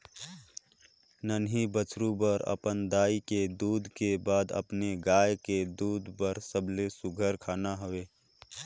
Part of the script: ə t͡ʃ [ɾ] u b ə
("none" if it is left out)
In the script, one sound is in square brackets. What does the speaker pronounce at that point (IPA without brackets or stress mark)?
ɾ